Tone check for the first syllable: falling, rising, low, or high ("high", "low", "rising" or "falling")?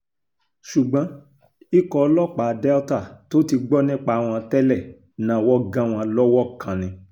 low